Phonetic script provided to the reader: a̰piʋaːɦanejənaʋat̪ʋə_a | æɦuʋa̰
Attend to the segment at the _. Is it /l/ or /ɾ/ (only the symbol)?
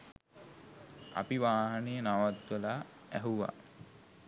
l